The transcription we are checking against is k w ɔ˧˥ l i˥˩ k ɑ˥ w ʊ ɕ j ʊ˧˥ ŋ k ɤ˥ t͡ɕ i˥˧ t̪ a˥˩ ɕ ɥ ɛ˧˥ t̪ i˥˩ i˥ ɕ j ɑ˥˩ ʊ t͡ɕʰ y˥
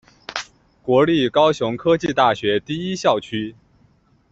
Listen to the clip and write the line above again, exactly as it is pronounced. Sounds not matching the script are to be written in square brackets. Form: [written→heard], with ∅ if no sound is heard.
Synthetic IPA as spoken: k w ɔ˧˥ l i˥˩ k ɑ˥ [w→∅] ʊ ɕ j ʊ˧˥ ŋ [k→kʰ] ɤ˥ t͡ɕ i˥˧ t̪ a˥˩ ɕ ɥ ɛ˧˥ t̪ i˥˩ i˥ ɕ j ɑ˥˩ ʊ t͡ɕʰ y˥